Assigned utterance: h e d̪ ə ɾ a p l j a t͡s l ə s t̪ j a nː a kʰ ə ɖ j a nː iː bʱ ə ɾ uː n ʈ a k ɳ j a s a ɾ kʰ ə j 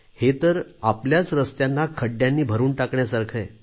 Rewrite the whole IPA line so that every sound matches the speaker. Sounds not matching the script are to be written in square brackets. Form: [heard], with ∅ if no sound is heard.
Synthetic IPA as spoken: h e [t̪] ə ɾ a p l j a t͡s [ɾ] ə s t̪ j a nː a kʰ ə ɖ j a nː iː bʱ ə ɾ uː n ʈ a k ɳ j a s a ɾ kʰ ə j